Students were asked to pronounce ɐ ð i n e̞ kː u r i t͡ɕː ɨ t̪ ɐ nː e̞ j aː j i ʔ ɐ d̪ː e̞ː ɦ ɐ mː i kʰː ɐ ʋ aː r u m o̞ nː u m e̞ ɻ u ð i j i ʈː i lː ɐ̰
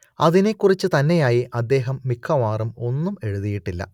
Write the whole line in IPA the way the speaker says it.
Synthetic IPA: ɐ ð i n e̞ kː u r i t͡ɕː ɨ t̪ ɐ nː e̞ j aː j i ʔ ɐ d̪ː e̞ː ɦ ɐ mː i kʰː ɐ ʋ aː r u m o̞ nː u m e̞ ɻ u ð i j i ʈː i lː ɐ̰